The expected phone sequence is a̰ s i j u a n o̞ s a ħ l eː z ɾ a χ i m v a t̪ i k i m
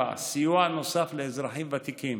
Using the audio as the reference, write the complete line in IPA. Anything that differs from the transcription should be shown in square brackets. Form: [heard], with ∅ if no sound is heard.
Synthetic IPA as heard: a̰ s i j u a n o̞ s a [f] l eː z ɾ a [ħ] i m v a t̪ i k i m